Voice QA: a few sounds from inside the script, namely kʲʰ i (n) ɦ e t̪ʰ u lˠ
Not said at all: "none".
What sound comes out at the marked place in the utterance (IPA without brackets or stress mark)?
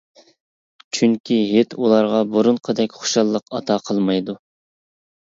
none